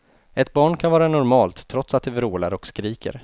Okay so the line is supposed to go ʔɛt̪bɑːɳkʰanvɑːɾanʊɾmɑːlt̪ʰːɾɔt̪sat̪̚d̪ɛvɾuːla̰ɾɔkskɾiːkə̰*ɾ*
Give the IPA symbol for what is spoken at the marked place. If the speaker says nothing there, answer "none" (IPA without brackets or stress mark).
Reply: ɾ